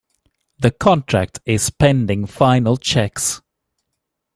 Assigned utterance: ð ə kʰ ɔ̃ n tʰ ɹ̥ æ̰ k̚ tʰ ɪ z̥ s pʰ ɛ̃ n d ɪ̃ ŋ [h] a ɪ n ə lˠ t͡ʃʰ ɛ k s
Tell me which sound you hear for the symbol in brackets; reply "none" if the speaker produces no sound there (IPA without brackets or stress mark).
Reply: f